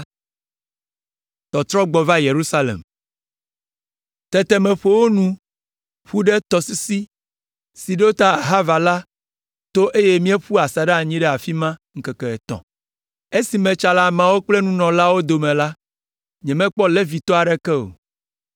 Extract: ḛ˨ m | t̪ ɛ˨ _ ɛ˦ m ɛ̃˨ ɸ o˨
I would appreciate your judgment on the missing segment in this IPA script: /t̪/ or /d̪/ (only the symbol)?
t̪